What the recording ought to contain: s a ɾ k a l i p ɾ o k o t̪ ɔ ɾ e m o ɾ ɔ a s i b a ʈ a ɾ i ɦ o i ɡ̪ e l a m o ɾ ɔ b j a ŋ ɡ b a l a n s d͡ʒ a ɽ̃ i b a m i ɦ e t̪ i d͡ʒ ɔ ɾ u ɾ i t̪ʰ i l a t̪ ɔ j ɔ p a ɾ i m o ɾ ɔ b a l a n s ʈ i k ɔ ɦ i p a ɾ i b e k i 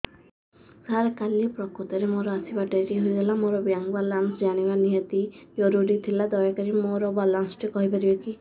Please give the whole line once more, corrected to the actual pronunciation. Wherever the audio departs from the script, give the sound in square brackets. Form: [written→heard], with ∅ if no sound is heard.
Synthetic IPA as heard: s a ɾ k a l i p ɾ [o→ɔ] k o t̪ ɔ ɾ e m o ɾ ɔ a s i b a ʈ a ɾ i ɦ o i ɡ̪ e l a m o ɾ ɔ b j a ŋ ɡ b a l a n s d͡ʒ a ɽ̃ i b a [m→n] i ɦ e t̪ i d͡ʒ ɔ ɾ u ɾ i t̪ʰ i l a [t̪→d̪] ɔ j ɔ [p→k] a ɾ i m o ɾ ɔ b a l a n s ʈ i k ɔ ɦ i p a ɾ i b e k i